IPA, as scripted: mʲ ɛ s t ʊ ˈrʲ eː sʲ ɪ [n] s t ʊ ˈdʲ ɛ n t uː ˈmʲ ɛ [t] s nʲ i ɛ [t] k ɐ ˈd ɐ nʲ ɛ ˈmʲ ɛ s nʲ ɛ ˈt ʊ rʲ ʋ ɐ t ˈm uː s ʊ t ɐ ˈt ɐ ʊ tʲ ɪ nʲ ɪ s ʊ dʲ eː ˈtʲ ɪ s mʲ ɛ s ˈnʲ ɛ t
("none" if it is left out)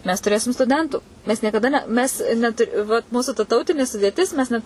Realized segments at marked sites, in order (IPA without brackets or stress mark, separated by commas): m, none, none